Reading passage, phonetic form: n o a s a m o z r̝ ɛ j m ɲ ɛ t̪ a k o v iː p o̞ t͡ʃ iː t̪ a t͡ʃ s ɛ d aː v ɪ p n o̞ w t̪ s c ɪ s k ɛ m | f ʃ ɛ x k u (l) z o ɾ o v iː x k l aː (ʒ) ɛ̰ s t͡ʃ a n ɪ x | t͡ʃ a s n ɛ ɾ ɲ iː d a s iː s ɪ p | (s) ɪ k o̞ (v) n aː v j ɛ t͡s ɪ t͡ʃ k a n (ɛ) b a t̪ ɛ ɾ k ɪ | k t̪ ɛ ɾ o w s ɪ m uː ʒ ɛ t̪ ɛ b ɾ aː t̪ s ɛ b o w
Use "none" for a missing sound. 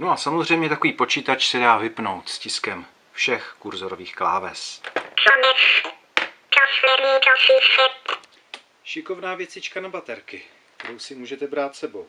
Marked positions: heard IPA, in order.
ɾ, v, ʃ, v, a

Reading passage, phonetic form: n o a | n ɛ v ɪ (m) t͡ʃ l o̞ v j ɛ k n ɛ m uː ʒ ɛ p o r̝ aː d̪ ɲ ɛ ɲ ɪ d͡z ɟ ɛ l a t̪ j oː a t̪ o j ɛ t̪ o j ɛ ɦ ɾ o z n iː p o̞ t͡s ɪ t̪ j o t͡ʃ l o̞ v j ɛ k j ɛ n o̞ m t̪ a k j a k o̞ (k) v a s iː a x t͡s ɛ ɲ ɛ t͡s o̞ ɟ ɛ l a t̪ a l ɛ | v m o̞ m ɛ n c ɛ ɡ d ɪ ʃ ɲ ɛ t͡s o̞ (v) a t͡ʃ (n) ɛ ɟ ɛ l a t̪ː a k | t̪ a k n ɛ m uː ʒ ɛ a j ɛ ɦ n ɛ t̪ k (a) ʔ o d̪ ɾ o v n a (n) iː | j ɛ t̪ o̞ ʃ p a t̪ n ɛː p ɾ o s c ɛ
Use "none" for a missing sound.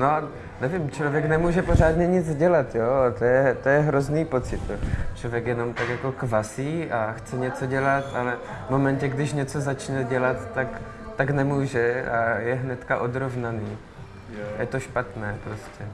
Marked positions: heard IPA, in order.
m, k, z, n, a, n

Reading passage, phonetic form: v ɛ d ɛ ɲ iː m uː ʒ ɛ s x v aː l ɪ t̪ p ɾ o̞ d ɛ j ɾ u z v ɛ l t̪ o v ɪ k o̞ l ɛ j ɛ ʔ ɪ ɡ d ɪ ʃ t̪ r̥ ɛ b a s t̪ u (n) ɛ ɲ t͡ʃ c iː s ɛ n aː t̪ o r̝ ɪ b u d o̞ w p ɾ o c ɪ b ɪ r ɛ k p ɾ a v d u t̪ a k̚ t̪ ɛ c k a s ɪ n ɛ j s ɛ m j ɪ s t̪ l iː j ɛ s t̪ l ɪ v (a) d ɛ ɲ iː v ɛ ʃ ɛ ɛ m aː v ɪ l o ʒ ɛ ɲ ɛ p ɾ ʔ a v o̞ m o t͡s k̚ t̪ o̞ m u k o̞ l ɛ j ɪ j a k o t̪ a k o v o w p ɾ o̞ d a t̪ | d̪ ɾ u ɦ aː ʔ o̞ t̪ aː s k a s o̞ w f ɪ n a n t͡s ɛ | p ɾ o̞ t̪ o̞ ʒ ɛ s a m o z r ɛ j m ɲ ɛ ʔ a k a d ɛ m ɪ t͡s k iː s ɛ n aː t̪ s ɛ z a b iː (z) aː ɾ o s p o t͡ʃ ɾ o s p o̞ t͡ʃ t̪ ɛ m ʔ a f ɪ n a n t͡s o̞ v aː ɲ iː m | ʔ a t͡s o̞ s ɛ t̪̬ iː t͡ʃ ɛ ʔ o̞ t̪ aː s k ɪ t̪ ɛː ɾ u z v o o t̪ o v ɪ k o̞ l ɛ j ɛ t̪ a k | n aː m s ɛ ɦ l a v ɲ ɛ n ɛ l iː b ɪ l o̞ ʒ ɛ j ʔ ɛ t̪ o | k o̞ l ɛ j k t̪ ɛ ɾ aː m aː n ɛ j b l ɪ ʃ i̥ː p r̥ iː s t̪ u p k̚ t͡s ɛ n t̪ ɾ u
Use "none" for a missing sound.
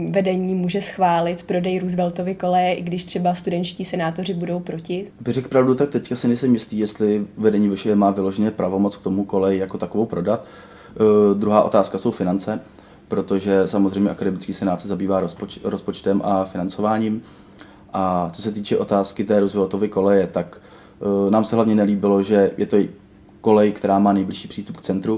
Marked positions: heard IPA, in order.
d, ɛ, v

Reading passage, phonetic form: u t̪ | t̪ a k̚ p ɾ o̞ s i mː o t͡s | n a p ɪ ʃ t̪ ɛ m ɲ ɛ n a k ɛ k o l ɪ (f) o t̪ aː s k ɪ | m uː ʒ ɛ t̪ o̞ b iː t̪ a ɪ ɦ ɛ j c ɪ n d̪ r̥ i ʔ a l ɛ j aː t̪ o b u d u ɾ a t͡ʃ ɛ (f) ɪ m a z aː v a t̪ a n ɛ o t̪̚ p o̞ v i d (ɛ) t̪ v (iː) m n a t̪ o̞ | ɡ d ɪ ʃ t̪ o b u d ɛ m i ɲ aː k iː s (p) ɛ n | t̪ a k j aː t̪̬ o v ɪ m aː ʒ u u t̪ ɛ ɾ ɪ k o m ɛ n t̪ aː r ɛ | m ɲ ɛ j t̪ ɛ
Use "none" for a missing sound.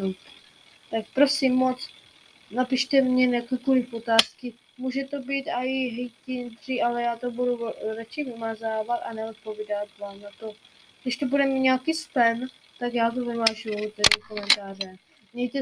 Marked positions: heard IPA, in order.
f, v, a, aː, p

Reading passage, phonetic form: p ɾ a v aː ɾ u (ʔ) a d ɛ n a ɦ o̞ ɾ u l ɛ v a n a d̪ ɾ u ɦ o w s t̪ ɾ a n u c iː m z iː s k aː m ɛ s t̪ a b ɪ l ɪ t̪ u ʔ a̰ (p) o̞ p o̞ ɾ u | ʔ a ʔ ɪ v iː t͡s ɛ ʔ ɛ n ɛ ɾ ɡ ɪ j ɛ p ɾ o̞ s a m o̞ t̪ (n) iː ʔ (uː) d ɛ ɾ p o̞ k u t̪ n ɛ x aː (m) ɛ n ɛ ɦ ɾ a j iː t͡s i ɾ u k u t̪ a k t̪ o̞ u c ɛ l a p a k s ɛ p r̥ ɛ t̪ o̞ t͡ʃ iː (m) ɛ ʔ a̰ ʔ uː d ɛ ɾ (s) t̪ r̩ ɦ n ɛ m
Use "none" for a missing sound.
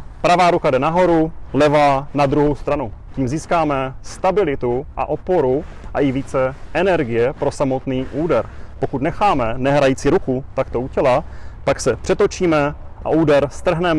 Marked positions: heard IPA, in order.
k, ʔ, n, uː, m, m, s

